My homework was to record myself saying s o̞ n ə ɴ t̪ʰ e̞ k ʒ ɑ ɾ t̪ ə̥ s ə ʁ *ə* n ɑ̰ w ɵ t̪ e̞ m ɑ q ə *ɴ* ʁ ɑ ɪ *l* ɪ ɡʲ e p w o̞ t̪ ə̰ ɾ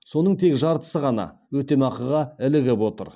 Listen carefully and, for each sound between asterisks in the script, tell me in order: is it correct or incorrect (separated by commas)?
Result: incorrect, incorrect, correct